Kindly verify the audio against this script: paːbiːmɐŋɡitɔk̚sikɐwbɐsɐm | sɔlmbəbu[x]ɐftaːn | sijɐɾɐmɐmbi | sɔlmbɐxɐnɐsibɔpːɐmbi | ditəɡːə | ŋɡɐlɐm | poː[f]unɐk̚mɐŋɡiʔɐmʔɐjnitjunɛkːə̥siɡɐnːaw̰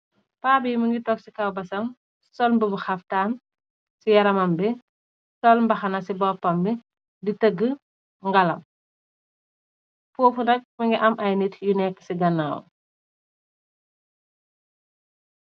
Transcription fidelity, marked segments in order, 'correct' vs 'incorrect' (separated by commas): correct, correct